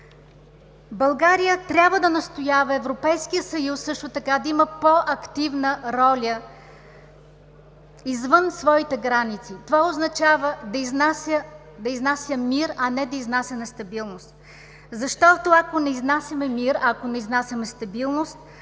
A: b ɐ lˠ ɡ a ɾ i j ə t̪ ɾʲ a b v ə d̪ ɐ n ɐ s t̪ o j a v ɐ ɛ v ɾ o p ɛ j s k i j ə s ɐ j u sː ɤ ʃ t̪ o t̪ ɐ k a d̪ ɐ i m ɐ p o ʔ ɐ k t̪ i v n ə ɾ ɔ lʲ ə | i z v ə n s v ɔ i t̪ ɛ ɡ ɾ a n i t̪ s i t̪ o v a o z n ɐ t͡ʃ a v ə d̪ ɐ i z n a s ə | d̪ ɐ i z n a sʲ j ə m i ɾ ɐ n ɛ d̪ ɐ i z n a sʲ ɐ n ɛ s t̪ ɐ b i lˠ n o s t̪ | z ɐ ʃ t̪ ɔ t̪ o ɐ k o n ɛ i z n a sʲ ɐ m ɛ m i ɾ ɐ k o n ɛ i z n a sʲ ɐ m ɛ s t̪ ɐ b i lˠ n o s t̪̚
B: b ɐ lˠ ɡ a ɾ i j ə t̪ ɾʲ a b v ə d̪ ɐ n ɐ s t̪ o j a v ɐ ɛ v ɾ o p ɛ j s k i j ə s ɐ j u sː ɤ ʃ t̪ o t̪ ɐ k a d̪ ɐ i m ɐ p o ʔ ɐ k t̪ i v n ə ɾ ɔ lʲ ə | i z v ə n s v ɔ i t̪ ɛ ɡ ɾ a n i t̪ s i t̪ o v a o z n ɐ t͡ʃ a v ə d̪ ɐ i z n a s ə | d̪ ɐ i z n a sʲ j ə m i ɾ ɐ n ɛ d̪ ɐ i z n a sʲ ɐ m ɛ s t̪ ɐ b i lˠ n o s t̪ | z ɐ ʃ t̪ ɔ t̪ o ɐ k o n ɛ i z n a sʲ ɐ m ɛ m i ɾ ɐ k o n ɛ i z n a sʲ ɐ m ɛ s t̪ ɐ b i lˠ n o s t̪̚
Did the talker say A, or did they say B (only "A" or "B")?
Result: A